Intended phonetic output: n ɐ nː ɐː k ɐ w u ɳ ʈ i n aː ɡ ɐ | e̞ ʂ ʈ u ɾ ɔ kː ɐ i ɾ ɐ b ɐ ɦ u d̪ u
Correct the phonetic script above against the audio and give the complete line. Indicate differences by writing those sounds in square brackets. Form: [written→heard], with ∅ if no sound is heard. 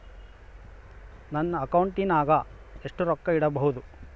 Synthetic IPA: n ɐ nː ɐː k ɐ w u ɳ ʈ i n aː ɡ ɐ | e̞ ʂ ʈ u ɾ ɔ kː ɐ i [ɾ→ɽ] ɐ b ɐ ɦ u d̪ u